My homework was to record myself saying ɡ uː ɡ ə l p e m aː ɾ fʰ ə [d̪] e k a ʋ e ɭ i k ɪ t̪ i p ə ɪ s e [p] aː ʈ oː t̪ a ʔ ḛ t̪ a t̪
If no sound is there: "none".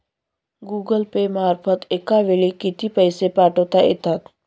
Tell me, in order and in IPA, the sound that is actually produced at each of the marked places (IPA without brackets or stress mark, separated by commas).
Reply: t̪, p